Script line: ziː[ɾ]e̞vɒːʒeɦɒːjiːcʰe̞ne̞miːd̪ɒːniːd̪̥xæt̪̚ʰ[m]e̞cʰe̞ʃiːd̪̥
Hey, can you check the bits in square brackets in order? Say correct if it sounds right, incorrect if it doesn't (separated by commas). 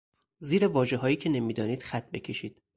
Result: correct, incorrect